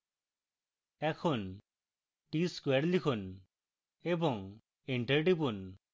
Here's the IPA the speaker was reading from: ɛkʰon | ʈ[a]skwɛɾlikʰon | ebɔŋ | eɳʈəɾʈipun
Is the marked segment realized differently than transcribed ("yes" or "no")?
yes